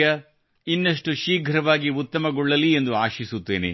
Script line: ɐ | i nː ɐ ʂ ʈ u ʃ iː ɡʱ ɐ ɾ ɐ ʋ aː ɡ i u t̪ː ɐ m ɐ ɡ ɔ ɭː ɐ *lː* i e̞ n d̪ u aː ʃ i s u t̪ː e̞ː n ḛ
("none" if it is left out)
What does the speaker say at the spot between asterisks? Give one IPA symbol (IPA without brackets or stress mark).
l